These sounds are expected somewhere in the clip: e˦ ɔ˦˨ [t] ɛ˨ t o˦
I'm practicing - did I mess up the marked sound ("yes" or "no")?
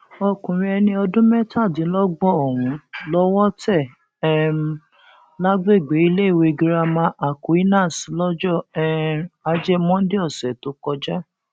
yes